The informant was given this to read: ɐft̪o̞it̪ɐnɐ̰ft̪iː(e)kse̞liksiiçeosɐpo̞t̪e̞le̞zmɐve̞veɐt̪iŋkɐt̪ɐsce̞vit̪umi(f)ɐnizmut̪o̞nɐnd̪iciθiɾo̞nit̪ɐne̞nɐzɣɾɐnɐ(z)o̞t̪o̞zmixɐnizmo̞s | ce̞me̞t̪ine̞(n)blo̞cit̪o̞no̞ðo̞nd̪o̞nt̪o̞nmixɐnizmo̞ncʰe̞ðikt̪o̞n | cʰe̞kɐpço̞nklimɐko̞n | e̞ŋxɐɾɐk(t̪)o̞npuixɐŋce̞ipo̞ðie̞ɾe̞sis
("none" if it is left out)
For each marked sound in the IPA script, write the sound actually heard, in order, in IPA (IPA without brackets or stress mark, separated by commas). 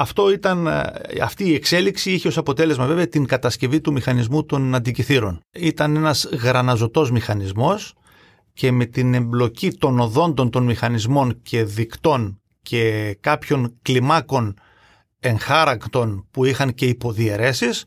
e, x, z, m, t̪